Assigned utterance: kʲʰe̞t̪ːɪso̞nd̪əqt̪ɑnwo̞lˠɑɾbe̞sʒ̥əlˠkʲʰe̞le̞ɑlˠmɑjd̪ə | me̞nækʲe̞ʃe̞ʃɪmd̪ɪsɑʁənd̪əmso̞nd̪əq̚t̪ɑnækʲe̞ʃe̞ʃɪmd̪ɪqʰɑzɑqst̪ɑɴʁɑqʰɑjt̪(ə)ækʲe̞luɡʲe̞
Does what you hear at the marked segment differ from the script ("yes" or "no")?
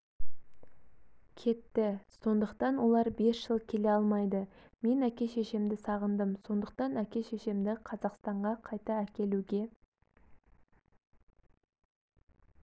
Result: yes